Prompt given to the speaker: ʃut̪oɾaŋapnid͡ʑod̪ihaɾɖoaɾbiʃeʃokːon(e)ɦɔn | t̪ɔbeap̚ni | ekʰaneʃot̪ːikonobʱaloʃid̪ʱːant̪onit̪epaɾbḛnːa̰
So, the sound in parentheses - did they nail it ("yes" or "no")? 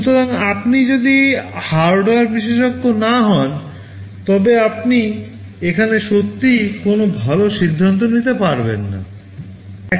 no